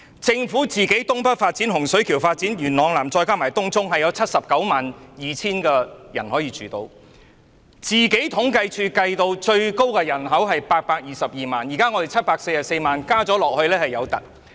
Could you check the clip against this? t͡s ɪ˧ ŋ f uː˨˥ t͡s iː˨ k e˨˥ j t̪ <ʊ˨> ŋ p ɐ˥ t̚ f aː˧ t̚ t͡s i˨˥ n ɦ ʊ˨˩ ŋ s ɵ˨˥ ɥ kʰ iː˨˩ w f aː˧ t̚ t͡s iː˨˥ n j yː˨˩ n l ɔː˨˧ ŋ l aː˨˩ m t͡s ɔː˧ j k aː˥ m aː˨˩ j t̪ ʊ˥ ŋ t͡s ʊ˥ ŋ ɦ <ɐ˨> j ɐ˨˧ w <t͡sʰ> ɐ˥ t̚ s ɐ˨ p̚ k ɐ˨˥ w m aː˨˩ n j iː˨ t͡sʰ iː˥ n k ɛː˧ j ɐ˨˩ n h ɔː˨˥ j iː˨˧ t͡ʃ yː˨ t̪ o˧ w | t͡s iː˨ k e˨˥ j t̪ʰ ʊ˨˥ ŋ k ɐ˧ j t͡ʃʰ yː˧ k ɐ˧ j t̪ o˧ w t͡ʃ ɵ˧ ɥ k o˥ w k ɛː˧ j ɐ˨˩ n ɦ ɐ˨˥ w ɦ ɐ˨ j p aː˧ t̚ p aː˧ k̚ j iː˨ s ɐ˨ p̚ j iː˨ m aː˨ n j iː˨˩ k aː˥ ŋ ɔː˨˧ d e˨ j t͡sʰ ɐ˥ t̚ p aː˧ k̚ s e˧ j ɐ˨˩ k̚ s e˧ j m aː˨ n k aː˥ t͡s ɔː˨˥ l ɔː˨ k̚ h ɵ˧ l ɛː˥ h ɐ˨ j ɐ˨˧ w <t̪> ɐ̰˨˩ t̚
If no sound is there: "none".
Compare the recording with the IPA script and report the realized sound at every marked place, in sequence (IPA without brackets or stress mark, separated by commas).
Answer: ʊ˥, ɐ˨, t͡sʰ, t̪